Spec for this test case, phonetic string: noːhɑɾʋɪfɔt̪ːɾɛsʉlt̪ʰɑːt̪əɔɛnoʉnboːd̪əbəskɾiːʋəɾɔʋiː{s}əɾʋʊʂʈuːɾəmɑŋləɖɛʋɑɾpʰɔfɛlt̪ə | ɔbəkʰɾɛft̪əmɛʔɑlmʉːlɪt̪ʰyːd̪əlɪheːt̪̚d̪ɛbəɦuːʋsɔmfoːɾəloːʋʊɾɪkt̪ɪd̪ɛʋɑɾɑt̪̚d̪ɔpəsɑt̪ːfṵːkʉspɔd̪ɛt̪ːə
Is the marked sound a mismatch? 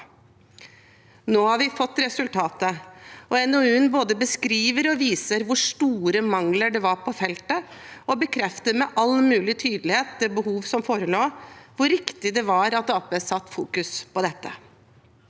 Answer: no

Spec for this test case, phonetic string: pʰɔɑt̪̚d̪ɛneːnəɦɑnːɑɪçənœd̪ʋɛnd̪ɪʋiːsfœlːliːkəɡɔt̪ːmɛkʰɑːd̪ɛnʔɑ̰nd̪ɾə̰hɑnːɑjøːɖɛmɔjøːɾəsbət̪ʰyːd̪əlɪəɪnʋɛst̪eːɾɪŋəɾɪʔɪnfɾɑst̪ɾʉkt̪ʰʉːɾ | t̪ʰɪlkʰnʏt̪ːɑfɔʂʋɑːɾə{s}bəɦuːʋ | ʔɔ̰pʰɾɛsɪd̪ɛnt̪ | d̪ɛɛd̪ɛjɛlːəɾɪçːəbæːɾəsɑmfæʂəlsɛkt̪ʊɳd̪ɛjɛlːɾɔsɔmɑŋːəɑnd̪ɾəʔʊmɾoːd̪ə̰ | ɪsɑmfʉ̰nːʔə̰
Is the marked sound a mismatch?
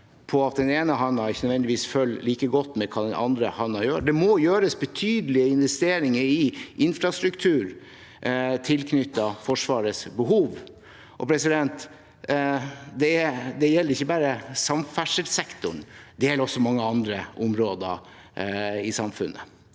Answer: no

